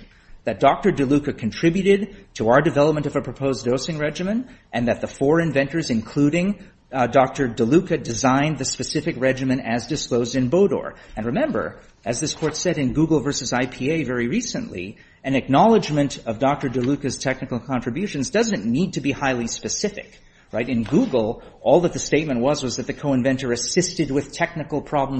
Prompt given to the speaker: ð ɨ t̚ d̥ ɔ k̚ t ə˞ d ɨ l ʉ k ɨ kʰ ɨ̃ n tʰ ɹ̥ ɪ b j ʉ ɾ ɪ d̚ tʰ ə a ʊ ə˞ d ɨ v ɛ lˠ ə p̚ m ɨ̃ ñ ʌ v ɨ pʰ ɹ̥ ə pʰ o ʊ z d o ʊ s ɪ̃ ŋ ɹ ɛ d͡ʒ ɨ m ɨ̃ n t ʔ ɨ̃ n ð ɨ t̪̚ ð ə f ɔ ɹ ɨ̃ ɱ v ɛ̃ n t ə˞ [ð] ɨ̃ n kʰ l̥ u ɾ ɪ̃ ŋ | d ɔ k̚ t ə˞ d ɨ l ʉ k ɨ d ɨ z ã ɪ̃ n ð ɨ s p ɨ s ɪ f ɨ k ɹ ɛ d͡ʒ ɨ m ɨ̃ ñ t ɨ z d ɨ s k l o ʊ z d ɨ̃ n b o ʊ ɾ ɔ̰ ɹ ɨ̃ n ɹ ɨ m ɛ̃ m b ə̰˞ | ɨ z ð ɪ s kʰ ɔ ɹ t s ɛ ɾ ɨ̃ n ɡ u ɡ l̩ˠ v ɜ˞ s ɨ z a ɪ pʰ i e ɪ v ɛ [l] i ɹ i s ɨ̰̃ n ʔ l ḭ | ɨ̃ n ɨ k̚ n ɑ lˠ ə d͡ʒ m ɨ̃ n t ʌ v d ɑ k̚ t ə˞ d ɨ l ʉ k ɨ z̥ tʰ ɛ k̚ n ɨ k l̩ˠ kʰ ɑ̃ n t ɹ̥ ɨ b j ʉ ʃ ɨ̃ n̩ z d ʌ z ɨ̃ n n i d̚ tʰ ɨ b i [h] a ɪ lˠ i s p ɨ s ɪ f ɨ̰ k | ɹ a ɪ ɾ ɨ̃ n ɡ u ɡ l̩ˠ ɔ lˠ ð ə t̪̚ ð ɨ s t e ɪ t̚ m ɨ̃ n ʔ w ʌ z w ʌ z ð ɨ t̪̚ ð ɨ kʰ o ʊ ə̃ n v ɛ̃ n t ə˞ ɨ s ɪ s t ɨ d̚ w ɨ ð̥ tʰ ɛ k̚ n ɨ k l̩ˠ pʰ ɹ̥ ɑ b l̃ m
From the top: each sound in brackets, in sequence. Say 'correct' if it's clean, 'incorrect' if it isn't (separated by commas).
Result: incorrect, incorrect, correct